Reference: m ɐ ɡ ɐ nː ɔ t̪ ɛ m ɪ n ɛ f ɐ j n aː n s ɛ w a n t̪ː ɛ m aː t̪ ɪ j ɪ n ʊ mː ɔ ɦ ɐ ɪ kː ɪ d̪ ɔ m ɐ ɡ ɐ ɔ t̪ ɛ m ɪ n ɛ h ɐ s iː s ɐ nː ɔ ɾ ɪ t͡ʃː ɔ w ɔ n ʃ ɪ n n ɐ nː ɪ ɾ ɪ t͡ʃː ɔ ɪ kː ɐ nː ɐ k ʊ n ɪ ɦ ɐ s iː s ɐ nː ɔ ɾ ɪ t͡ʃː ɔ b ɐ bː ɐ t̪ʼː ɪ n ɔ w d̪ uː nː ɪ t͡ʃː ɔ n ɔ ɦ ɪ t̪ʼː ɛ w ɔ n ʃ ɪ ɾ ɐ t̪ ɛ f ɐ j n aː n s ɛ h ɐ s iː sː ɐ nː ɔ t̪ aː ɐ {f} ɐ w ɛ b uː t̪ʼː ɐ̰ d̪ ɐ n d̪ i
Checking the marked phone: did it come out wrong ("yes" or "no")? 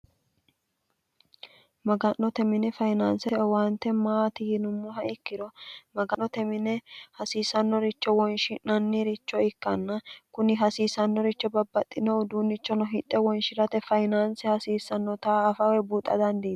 no